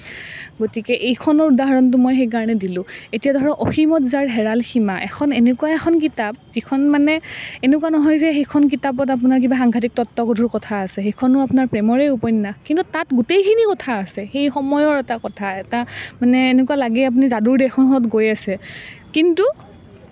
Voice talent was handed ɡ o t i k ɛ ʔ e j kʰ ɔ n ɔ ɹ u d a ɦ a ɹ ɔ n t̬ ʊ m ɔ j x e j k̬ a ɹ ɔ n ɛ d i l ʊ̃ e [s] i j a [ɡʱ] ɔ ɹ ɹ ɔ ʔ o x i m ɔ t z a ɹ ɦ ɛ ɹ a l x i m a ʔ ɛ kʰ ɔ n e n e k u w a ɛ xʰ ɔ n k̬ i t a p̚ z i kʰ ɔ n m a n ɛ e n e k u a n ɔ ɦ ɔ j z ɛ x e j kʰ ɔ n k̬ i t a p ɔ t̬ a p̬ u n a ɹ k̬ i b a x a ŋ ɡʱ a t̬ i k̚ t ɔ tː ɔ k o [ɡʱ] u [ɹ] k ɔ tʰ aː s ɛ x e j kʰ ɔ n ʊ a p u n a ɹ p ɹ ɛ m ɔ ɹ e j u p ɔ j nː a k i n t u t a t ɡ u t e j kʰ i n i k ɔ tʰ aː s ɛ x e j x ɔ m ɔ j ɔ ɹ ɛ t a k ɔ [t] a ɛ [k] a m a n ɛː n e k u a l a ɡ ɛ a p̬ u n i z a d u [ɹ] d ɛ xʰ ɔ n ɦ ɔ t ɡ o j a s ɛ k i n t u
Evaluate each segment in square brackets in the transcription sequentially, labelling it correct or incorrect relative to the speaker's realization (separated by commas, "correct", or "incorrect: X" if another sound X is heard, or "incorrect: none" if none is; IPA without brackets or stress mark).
incorrect: t, incorrect: dʱ, incorrect: dʱ, correct, incorrect: tʰ, incorrect: t, correct